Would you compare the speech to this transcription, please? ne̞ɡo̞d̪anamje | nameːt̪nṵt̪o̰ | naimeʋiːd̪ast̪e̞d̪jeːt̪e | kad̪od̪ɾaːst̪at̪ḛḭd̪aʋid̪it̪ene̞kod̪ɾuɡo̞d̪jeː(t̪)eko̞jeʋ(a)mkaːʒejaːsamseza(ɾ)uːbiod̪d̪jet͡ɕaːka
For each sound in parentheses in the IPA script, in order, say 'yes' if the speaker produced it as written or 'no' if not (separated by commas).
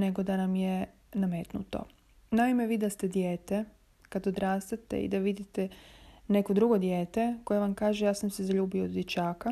yes, yes, no